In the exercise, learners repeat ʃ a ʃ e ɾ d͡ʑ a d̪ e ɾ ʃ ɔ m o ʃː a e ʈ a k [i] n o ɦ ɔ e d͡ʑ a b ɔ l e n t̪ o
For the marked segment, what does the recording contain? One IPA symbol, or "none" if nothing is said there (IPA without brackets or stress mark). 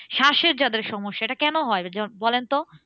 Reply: ɛ